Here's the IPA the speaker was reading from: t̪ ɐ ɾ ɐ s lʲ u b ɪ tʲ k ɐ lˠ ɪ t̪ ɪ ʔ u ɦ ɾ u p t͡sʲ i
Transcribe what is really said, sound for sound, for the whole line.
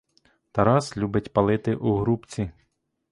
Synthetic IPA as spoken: t̪ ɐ ɾ ɑ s lʲ u b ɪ tʲ p ɐ lˠ ɪ t̪ ɪ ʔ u ɦ ɾ u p t͡sʲ i